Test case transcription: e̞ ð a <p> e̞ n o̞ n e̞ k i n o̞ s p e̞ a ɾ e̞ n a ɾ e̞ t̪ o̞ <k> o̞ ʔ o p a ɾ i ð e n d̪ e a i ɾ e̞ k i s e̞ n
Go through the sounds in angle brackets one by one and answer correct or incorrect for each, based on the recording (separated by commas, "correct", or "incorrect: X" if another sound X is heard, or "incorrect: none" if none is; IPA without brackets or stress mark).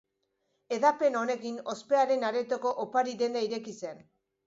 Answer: correct, correct